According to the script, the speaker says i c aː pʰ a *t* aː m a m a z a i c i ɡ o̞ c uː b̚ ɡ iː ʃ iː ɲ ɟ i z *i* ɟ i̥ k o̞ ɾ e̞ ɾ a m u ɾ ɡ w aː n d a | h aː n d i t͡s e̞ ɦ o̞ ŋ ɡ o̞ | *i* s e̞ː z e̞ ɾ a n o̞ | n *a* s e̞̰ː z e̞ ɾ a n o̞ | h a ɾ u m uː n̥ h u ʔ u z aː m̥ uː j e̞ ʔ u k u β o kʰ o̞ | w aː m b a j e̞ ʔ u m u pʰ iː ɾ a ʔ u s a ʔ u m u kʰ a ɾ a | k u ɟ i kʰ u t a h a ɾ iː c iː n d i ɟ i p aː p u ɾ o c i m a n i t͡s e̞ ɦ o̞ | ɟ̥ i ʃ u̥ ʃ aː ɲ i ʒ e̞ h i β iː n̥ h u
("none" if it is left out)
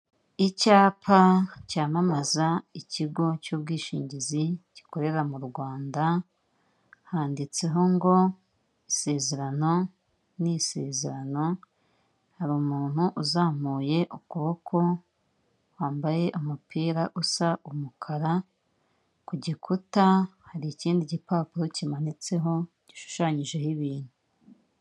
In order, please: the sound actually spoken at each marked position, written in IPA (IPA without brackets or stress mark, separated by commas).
c, i, i, i